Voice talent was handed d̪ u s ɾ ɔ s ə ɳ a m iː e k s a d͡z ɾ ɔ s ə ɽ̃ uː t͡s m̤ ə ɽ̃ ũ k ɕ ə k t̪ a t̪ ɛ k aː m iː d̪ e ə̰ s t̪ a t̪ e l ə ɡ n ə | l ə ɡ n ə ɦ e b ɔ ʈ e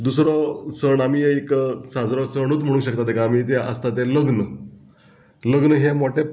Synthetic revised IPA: d̪ u s ɾ ɔ s ə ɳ a m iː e k s a d͡z ɾ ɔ s ə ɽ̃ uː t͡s m̤ ə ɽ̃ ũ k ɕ ə k t̪ a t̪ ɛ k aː m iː t̪ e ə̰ s t̪ a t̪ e l ə ɡ n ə | l ə ɡ n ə ɦ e m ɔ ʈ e